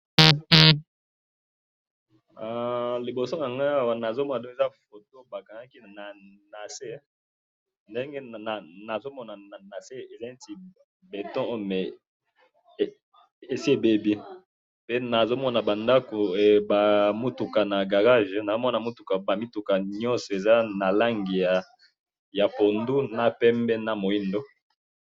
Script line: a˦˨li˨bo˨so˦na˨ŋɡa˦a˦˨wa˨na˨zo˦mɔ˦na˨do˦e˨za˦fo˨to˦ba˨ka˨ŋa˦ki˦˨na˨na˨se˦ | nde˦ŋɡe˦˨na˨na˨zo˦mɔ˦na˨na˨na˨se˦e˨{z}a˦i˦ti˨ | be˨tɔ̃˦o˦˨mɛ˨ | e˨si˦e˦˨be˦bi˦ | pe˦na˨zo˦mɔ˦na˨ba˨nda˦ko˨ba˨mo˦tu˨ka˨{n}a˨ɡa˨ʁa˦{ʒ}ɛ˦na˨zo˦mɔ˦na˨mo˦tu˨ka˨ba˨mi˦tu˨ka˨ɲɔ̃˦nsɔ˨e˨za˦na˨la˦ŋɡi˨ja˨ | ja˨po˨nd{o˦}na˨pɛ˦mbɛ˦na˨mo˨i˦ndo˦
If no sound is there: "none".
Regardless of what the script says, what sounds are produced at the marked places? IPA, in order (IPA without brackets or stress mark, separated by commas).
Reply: z, n, ʒ, u˦